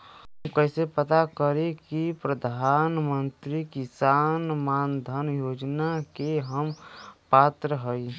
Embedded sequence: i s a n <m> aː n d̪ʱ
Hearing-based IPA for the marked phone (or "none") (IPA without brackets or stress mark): m